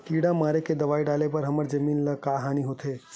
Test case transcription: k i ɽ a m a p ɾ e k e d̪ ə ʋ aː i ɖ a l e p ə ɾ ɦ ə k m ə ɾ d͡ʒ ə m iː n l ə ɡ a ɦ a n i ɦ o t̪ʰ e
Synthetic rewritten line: k i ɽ a m a ɾ e k e d̪ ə ʋ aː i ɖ a l e p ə ɾ ɦ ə m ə ɾ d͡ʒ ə m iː n l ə k a ɦ a n i ɦ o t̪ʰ e